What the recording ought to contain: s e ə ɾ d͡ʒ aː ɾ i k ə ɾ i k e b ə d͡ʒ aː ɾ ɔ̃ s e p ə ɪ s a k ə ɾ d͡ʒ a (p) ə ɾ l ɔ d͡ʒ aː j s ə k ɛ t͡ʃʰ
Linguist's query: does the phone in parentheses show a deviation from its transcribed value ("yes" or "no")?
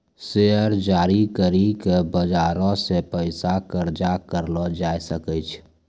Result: yes